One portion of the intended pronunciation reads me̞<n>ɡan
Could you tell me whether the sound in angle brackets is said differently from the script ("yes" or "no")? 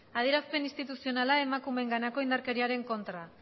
yes